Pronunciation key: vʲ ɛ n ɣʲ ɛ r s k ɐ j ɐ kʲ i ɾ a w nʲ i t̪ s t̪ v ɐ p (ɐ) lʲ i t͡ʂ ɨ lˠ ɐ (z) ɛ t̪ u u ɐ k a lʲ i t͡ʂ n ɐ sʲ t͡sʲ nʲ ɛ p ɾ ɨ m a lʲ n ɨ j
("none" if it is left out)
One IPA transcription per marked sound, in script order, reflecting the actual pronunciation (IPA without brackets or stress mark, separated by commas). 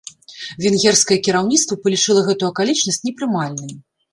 ɐ, ɣ